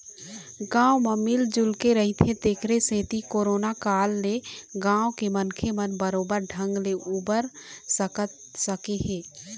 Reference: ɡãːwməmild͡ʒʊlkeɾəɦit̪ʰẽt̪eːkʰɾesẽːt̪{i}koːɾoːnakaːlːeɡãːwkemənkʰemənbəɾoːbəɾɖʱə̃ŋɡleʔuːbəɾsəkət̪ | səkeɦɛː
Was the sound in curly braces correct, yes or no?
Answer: yes